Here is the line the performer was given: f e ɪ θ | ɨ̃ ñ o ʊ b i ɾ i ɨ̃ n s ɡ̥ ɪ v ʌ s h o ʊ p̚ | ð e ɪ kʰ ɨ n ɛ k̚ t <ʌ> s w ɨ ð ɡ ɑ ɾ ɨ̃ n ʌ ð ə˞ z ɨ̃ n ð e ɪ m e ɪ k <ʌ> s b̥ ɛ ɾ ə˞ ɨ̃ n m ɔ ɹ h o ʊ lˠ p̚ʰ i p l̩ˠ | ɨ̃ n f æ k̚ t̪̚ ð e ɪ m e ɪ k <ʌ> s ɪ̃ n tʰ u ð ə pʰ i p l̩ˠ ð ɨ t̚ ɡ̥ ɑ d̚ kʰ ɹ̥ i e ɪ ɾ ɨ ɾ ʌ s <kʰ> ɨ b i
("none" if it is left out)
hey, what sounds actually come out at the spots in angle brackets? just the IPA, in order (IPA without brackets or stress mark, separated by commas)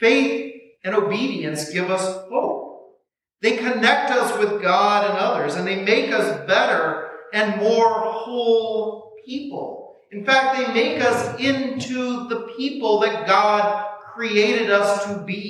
ʌ, ʌ, ʌ, tʰ